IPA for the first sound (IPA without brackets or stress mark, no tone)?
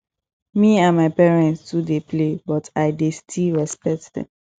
m